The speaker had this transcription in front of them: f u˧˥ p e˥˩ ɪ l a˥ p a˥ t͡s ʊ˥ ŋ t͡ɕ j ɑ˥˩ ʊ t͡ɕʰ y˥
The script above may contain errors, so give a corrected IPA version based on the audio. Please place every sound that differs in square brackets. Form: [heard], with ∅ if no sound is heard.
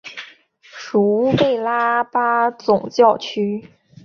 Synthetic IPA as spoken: [ʂ] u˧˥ p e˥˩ ɪ l a˥ p a˥ t͡s [ʊ˨˩] ŋ t͡ɕ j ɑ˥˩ ʊ t͡ɕʰ y˥